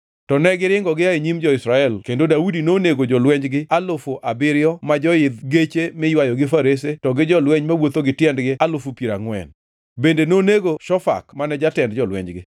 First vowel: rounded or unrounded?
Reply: rounded